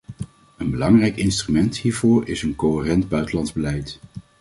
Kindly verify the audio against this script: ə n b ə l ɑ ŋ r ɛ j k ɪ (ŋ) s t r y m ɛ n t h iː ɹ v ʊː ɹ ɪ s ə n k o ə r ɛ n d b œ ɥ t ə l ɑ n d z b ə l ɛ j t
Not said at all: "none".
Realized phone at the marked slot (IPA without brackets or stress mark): n